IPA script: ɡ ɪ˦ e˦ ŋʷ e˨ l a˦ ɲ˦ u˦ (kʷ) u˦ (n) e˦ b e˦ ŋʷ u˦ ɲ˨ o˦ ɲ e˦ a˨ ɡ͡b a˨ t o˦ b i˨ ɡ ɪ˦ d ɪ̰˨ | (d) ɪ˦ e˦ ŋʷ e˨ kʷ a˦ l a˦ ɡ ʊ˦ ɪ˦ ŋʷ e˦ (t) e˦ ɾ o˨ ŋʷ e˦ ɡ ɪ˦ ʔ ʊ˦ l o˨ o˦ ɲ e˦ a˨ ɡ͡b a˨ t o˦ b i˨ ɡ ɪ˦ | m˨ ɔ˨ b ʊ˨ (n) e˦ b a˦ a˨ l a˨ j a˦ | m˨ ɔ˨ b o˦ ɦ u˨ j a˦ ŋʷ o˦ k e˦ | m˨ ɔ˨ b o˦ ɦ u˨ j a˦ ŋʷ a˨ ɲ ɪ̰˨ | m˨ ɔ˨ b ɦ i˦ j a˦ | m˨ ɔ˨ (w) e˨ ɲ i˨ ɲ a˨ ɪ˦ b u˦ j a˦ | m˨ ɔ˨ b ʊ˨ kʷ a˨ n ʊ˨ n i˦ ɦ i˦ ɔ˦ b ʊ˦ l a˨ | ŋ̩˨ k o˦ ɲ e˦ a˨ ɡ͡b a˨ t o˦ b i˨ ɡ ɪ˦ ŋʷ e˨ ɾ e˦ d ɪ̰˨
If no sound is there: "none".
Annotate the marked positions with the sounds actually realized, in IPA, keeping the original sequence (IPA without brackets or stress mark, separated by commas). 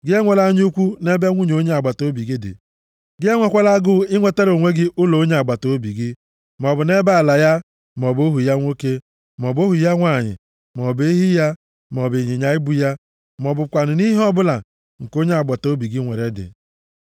kʷ, n, ɡ, t, n, b